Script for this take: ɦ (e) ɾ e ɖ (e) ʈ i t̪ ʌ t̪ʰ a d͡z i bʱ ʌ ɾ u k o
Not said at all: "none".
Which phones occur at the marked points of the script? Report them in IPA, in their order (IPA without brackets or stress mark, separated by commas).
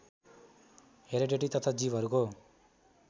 e, e